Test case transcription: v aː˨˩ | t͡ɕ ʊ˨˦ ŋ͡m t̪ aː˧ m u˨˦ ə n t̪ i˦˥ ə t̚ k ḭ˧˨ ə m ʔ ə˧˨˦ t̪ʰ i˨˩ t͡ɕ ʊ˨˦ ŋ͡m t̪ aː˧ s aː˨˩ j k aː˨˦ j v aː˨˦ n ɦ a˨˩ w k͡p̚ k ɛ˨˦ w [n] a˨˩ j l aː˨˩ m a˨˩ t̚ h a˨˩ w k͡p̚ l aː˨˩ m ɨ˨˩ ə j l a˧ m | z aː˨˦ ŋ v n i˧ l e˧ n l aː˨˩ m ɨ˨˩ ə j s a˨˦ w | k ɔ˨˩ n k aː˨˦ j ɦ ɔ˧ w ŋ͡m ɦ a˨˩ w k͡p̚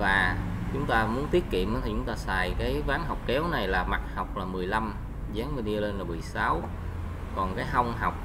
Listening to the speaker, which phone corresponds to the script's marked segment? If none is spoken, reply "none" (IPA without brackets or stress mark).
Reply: n